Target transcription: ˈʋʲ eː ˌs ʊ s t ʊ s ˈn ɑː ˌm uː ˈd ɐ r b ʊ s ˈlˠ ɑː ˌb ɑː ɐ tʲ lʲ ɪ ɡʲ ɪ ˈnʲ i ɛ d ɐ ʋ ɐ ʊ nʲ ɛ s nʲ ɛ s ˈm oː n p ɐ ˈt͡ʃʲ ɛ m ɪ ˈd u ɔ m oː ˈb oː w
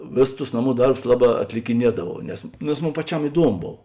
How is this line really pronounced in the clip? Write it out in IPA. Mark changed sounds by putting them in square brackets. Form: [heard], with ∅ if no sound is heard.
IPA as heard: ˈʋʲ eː ˌs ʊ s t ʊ s ˈn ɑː ˌm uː ˈd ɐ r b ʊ s ˈlˠ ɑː ˌb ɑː ɐ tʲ lʲ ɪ [kʲ] ɪ ˈnʲ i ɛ d ɐ ʋ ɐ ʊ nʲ ɛ s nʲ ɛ s ˈm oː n p ɐ ˈt͡ʃʲ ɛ m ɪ ˈd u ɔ m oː ˈb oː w